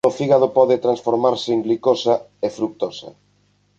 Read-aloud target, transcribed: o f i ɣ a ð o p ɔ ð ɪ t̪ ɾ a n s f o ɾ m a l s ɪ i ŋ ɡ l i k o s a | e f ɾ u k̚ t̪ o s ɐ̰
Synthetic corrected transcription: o f i ɣ a ð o p ɔ ð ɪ t̪ ɾ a n s f o ɾ m a ɾ s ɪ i ŋ ɡ l i k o s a | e f ɾ u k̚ t̪ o s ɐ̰